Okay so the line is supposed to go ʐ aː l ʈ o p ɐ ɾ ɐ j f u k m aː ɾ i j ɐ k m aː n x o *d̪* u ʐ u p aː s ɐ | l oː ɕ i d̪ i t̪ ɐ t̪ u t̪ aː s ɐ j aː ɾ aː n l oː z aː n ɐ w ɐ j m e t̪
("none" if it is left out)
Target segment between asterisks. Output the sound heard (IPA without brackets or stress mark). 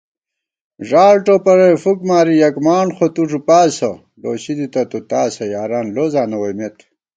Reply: t̪